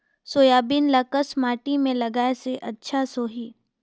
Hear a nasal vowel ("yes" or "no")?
yes